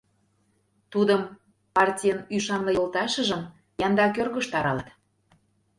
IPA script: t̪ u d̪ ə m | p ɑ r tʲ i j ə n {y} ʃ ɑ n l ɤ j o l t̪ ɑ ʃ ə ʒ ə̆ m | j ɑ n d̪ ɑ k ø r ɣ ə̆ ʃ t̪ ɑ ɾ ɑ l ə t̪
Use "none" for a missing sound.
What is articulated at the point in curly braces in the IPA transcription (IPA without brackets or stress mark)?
y